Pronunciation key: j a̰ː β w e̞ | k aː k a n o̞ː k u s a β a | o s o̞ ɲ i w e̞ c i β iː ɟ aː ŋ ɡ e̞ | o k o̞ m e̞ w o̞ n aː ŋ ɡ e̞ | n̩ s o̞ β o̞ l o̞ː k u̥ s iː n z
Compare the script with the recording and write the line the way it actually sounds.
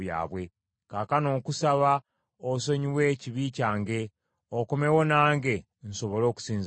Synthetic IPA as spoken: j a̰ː β w e̞ | k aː k a n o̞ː k u s a β a | o s o̞ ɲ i w e̞ c i β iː c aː ŋ ɡ e̞ | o k o̞ m e̞ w o̞ n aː ŋ ɡ e̞ | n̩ s o̞ β o̞ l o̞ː k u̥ s iː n z

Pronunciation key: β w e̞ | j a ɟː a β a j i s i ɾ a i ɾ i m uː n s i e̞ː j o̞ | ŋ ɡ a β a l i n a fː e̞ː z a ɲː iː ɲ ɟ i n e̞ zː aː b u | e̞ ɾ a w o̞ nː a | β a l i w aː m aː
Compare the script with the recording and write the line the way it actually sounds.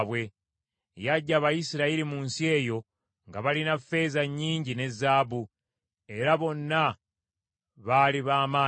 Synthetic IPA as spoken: β w e̞ | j a ɟː a β a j i s i ɾ a i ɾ i m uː n s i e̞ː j o̞ | ŋ ɡ a β a l i n a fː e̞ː z a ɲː iː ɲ ɟ i n e̞ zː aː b u | e̞ ɾ a β o̞ nː a | β a l i β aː m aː

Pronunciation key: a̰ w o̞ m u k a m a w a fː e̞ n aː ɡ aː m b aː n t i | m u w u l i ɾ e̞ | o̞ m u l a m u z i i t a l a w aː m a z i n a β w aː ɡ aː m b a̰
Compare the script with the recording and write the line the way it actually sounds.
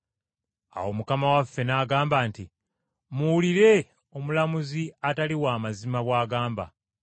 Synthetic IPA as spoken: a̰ w o̞ m u k a m a w a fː e̞ n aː ɡ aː m b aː n t i | m u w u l i ɾ e̞ | o̞ m u l a m u z i a t a l i w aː m a z i m a β w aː ɡ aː m b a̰

